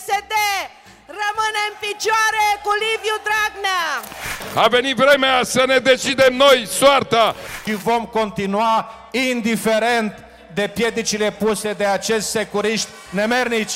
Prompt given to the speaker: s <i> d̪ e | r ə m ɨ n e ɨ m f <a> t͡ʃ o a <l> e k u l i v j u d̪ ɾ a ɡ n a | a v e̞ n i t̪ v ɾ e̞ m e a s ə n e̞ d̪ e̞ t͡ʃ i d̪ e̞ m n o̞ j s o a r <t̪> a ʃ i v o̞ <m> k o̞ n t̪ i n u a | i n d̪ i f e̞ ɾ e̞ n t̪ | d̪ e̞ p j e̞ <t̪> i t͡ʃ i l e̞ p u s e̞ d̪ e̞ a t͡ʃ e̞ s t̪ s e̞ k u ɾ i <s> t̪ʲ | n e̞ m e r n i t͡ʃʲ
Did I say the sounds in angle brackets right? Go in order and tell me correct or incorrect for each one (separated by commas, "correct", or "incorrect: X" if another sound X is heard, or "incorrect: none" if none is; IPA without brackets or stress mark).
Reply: incorrect: e, incorrect: i, incorrect: ɾ, correct, correct, incorrect: d̪, incorrect: ʃ